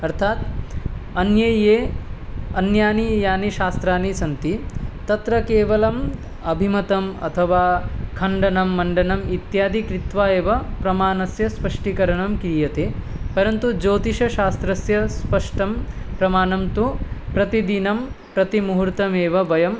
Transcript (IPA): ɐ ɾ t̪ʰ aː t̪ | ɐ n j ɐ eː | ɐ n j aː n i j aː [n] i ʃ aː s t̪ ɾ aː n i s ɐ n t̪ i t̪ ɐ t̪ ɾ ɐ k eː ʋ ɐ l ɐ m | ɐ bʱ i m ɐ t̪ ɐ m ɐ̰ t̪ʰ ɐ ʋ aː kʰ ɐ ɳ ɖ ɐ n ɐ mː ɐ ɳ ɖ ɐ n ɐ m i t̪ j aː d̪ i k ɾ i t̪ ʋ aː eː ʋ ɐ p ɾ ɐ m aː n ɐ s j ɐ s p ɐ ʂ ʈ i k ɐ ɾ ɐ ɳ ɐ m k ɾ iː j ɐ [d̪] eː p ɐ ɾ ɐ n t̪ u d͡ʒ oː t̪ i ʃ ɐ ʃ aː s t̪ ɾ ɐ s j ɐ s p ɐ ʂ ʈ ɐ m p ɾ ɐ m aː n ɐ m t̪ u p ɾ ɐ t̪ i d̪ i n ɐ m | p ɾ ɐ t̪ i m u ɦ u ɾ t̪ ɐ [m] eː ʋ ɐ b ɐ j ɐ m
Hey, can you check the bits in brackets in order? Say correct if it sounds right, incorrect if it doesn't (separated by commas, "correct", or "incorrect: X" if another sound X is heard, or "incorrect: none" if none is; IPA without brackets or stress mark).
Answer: correct, incorrect: t̪, correct